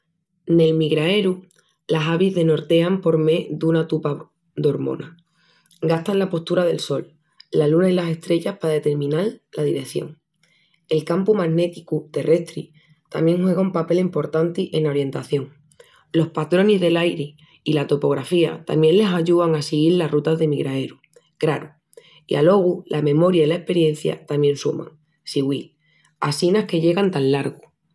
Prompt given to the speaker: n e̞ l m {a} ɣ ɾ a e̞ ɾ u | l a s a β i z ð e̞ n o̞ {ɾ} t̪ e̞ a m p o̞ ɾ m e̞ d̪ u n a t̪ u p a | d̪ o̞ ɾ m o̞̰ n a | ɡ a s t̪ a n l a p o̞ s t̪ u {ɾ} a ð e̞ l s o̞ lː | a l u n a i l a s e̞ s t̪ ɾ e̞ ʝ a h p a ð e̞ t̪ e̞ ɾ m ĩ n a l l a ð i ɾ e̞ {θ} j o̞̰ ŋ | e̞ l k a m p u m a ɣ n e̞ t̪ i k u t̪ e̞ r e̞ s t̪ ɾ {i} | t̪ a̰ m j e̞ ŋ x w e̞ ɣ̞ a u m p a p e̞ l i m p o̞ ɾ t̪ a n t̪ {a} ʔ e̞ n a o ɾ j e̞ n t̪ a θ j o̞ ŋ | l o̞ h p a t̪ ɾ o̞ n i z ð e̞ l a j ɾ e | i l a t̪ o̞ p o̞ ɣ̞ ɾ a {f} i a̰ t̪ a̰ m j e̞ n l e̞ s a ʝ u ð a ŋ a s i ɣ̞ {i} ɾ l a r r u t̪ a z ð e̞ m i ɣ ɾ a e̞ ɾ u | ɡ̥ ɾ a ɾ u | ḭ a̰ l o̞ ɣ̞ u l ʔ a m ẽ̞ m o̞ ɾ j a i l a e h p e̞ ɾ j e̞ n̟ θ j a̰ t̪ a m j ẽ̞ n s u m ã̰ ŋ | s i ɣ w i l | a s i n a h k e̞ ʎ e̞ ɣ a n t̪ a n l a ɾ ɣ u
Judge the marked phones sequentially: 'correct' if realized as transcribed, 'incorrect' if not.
incorrect: i, correct, correct, correct, correct, incorrect: i, correct, correct

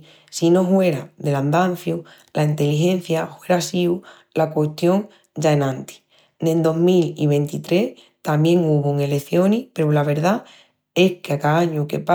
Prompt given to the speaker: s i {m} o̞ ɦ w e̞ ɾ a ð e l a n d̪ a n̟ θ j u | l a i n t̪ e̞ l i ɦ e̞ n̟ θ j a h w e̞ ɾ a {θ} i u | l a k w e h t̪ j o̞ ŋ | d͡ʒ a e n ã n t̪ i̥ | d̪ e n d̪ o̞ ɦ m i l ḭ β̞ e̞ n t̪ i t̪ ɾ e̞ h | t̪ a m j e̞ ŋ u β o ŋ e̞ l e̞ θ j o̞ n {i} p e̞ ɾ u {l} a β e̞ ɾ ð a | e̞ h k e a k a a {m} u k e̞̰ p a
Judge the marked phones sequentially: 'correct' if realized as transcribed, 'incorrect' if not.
incorrect: n, incorrect: s, correct, correct, incorrect: ɲ

